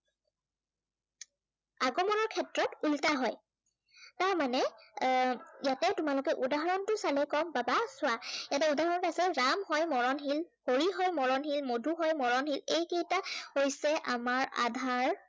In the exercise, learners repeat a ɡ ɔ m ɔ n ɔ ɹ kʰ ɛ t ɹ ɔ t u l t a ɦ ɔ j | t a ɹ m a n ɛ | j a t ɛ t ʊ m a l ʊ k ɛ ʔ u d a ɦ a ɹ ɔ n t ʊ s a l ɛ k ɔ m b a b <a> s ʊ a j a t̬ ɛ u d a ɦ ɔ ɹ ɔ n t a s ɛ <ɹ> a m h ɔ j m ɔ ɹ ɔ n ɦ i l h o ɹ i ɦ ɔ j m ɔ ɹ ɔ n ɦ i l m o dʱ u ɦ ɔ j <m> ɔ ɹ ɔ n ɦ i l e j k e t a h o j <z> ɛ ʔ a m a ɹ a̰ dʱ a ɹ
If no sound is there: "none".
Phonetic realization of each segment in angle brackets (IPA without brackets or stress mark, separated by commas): a, ɹ, m, s